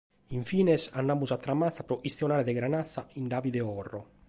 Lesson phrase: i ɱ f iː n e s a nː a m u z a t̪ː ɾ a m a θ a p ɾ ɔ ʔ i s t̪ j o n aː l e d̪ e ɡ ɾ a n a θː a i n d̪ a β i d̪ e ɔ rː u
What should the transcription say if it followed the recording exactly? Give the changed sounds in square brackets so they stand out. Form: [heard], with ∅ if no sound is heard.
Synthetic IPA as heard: i ɱ f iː n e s a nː a m u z a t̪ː ɾ a m a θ a p ɾ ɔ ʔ i s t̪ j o n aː [ɾ] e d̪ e ɡ ɾ a n a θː a i n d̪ a [v] i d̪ e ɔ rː [o]